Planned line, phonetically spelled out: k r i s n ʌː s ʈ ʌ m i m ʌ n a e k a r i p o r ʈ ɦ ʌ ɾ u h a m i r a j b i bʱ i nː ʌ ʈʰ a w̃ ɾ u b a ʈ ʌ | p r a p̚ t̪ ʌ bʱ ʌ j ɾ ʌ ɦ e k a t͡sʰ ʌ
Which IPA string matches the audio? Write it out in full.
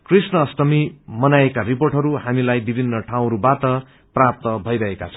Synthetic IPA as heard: k r i s n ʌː s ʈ ʌ m i m ʌ n a e k a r i p o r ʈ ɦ ʌ ɾ u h a m i l a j b i bʱ i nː ʌ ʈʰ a w̃ ɾ u b a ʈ ʌ | p r a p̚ t̪ ʌ bʱ ʌ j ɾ ʌ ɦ e k a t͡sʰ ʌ